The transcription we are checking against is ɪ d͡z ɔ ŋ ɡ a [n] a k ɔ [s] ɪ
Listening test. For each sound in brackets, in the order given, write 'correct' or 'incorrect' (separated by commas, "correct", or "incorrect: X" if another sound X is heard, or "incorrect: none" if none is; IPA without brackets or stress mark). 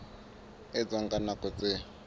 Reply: correct, incorrect: t͡s